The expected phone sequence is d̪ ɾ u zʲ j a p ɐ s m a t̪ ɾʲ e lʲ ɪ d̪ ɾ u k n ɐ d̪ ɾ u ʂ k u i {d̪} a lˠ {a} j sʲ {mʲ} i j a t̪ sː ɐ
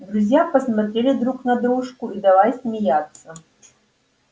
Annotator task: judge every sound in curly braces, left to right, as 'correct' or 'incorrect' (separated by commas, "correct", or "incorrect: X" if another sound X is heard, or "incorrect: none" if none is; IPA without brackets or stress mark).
correct, correct, correct